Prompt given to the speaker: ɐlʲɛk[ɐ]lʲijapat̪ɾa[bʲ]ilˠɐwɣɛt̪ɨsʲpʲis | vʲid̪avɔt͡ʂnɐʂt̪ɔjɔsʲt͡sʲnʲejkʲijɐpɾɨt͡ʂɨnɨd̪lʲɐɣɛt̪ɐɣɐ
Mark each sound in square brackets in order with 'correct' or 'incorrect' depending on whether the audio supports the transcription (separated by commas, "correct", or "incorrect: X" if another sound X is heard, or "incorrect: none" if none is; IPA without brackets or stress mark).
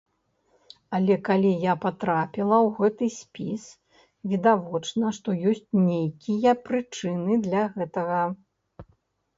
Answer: incorrect: a, incorrect: pʲ